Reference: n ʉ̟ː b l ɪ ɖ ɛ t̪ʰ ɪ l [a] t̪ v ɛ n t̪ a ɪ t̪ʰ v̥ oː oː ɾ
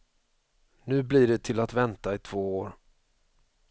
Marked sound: correct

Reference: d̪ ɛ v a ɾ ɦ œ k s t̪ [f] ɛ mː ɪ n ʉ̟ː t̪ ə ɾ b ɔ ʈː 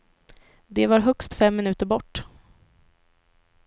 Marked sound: correct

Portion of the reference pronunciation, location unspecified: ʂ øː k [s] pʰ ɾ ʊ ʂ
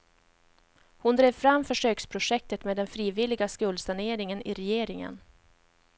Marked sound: correct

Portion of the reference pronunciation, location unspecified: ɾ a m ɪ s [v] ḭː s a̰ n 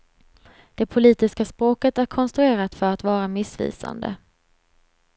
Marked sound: correct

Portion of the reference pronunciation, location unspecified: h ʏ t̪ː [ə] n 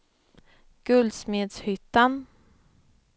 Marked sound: incorrect: a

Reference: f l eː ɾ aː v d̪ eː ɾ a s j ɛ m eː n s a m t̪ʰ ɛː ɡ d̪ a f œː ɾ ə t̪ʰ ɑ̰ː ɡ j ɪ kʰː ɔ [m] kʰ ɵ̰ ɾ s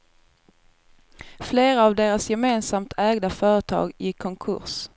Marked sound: incorrect: ŋ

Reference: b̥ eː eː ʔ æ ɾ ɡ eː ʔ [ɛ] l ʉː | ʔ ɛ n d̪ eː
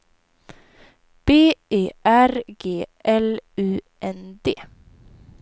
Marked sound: correct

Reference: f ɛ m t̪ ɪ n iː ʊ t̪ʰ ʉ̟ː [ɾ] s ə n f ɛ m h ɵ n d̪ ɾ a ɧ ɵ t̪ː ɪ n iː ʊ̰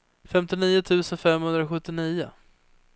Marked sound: incorrect: none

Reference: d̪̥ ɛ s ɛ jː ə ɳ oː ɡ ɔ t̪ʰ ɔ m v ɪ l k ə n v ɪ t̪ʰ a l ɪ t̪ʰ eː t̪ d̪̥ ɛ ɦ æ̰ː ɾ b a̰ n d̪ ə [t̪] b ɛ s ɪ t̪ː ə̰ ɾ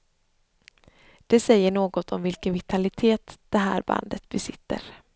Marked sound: correct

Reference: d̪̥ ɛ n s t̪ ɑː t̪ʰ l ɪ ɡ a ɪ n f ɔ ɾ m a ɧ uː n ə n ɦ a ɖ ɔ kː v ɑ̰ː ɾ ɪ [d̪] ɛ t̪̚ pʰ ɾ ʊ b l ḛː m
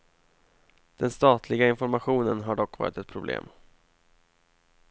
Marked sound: incorrect: t̪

